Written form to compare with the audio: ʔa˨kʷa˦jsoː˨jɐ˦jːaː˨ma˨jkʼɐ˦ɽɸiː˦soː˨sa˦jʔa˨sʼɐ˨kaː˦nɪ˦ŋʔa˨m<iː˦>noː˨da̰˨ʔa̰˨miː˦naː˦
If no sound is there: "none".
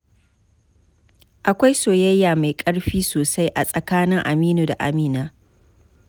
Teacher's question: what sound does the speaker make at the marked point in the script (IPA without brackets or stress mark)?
iː˦